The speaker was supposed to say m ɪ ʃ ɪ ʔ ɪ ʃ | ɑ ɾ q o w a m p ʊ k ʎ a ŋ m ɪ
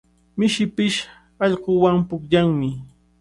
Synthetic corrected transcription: m ɪ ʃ ɪ p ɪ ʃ | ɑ ʎ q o w a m p ʊ k ʎ a ŋ m ɪ